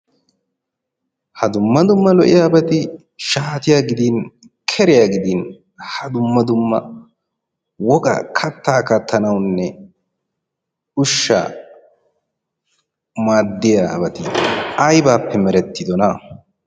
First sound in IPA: h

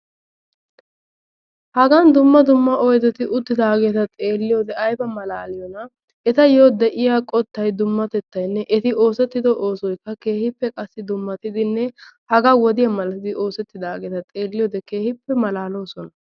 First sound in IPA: h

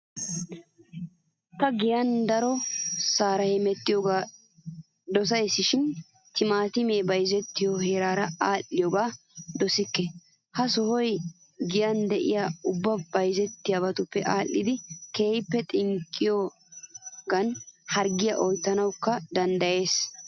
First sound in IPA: t̪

